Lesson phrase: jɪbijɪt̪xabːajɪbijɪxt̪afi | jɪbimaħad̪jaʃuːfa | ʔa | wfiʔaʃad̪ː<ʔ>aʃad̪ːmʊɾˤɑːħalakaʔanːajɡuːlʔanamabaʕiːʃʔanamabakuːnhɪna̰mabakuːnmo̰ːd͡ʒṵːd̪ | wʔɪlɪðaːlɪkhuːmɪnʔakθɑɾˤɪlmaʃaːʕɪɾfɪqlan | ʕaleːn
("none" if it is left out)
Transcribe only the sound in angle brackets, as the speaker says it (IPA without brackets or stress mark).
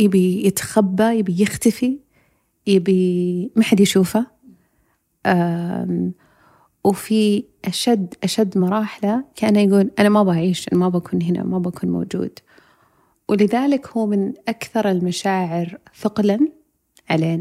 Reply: ʔ